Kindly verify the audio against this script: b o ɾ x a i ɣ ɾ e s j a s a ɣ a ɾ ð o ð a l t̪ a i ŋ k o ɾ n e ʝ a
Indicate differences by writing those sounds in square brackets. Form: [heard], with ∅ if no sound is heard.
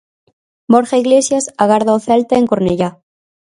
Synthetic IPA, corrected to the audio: b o ɾ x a i ɣ [l] e s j a s a ɣ a ɾ ð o [θ] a l t̪ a [e] ŋ k o ɾ n e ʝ a